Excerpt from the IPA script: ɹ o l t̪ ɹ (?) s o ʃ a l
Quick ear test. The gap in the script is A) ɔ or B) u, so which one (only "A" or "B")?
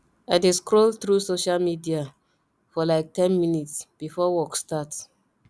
B